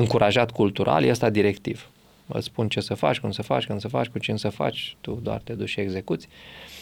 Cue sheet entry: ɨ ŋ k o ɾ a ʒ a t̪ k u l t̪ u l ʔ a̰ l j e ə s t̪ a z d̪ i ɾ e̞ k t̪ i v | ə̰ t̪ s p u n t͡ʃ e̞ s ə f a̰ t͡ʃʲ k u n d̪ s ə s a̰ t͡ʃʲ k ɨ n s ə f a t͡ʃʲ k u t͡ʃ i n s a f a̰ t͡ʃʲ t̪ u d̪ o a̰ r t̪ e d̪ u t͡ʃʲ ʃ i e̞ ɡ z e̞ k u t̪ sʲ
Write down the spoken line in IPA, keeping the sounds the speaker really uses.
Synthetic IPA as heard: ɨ ŋ k u ɾ a ʒ a t̪ k u l t̪ u ɾ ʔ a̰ l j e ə s t̪ a d̪ i ɾ e̞ k t̪ i v | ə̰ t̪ s p u n t͡ʃ e̞ s ə f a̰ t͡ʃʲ k u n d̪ s ə f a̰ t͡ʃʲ k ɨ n s ə f a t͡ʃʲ k u t͡ʃ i n s ə f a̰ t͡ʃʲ t̪ u d̪ o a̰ r t̪ e d̪ u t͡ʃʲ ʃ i e̞ ɡ z e̞ k u t̪ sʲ